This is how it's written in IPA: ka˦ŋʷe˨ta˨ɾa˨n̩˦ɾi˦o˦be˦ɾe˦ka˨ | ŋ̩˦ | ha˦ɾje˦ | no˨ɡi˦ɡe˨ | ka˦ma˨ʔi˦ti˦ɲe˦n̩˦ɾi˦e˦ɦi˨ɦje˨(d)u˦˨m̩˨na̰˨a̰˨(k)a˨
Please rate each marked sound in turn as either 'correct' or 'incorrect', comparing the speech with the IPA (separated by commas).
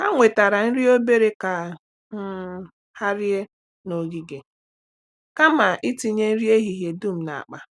correct, incorrect